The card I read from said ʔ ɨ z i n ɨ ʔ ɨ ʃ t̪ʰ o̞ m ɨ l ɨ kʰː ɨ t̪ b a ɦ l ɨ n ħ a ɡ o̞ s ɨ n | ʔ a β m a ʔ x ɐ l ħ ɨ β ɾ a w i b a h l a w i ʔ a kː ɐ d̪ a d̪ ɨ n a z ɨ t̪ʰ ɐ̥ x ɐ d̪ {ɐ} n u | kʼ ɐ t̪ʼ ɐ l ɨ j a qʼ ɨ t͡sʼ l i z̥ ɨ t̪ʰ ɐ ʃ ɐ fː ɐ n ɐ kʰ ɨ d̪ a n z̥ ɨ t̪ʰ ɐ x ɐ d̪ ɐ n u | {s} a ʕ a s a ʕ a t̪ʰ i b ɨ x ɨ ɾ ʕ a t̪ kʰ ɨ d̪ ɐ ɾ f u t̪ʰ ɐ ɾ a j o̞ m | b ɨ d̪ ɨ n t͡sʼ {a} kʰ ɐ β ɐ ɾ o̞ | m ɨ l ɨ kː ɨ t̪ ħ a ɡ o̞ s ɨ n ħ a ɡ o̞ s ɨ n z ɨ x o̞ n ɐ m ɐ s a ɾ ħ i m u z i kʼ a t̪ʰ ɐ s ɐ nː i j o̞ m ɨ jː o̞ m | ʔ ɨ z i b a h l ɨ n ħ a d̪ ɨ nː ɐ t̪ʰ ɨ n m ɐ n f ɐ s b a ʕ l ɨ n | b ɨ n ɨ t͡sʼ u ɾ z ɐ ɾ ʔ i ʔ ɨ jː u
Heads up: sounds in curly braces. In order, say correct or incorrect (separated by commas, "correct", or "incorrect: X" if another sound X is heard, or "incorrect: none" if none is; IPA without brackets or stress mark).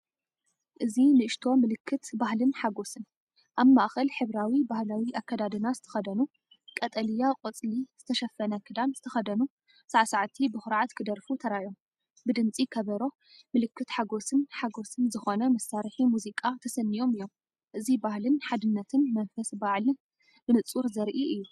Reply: correct, correct, incorrect: i